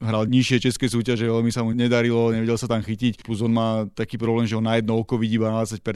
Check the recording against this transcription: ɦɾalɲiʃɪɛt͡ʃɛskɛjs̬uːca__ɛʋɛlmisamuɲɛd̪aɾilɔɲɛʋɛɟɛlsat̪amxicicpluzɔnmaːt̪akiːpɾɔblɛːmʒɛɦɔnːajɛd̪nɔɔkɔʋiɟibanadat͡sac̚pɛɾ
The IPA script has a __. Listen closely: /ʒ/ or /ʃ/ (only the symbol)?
ʒ